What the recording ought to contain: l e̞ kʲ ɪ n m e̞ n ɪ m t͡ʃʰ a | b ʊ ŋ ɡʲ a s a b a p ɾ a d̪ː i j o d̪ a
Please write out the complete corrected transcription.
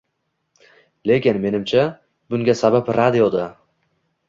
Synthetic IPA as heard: l e̞ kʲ ɪ n m e̞ n ɪ m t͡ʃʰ a | b ʊ ŋ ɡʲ a s a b a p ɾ a d̪ i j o d̪ a